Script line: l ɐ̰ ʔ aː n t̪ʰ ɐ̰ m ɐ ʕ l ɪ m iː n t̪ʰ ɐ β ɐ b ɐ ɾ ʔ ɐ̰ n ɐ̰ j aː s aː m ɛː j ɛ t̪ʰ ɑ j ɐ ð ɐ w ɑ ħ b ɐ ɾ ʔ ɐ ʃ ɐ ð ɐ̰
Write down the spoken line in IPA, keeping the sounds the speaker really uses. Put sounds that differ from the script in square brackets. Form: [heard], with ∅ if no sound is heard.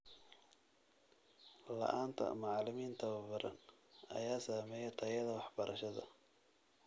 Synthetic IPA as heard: l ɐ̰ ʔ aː n t̪ʰ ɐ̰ m [ɑ] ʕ l ɪ m iː n t̪ʰ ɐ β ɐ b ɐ ɾ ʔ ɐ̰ n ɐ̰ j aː s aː m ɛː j ɛ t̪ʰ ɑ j ɐ ð ɐ w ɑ ħ b ɐ ɾ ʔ ɐ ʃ ɐ ð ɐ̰

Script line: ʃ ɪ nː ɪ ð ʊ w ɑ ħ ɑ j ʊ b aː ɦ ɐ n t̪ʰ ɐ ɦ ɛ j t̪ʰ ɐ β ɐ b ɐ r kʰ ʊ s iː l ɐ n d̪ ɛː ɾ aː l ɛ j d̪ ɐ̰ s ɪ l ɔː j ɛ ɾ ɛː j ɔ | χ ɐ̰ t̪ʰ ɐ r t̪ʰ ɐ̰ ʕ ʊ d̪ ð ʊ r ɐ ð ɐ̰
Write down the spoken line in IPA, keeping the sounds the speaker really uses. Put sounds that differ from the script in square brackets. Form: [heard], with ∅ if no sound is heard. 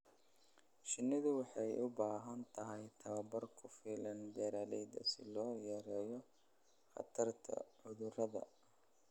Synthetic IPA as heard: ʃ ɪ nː ɪ ð ʊ w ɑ ħ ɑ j ʊ b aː ɦ ɐ n t̪ʰ ɐ ɦ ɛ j t̪ʰ ɐ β ɐ b ɐ r kʰ ʊ [f] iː l ɐ n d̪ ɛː ɾ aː l ɛ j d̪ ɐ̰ s ɪ l ɔː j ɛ ɾ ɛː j ɔ | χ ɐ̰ t̪ʰ ɐ r t̪ʰ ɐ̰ ʕ ʊ [∅] ð ʊ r ɐ ð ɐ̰

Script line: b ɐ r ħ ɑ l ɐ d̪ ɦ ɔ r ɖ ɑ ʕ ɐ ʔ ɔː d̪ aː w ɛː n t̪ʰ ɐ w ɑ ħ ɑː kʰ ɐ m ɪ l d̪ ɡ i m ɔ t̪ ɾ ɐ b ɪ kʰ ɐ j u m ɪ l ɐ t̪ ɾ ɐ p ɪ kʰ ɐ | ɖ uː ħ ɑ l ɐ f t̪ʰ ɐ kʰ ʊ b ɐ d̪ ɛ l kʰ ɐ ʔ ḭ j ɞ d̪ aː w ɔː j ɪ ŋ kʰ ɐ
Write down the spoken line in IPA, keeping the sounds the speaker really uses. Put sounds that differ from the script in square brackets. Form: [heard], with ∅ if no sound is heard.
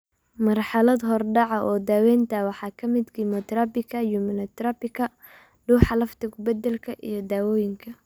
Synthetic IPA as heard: [m] ɐ r ħ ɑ l ɐ d̪ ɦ ɔ r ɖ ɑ ʕ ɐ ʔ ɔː d̪ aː w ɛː n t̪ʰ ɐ w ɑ ħ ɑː kʰ ɐ m ɪ [∅] d̪ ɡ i m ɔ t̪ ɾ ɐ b ɪ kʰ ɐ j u m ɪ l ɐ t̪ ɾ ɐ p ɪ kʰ ɐ | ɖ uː ħ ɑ l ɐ f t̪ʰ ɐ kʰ ʊ b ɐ d̪ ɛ l kʰ ɐ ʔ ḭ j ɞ d̪ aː w ɔː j ɪ ŋ kʰ ɐ

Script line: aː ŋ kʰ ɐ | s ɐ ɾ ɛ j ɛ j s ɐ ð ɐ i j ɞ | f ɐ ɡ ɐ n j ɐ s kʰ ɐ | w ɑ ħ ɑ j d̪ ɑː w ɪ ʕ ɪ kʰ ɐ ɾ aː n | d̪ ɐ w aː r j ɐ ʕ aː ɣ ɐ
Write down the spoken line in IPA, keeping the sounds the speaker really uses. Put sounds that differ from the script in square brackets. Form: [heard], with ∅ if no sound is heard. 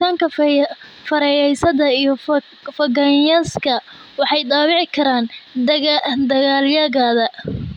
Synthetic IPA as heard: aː ŋ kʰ ɐ | [f] ɐ ɾ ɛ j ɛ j s ɐ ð ɐ i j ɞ | f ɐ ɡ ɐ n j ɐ s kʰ ɐ | w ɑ ħ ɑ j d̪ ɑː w ɪ ʕ ɪ kʰ ɐ ɾ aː n | d̪ ɐ [ɣ] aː [l] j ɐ [ɣ] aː [ð] ɐ

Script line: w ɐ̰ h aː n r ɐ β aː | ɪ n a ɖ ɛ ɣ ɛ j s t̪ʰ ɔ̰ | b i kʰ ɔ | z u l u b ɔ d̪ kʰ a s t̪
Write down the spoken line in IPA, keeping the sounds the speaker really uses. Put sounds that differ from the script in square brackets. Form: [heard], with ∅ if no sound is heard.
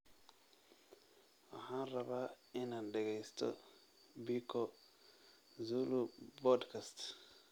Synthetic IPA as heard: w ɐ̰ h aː n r ɐ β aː | ɪ n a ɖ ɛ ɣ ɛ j s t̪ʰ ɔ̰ | b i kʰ ɔ | z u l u b ɔ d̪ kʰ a s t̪

